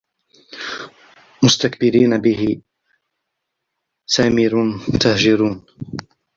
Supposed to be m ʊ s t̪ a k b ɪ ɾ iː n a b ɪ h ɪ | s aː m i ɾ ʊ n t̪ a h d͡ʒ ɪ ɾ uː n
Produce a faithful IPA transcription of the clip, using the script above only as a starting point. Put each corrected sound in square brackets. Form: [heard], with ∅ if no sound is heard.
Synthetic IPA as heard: m ʊ s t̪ a k b ɪ ɾ iː n a b ɪ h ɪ | s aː m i ɾ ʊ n t̪ a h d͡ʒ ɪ ɾ uː n